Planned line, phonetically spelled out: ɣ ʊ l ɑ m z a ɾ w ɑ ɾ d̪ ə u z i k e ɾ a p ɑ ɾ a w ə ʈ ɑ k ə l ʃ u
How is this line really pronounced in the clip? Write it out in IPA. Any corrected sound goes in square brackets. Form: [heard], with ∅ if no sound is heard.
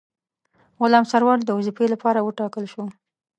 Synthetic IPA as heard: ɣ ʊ l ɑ m [s] a ɾ w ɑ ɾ d̪ ə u z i [p] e [l] a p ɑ ɾ a w ə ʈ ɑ k ə l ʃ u